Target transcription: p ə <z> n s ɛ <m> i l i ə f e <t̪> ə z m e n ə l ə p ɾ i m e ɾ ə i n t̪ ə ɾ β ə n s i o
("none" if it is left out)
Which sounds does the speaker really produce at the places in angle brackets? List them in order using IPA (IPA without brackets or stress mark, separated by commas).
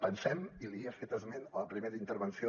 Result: none, m, t̪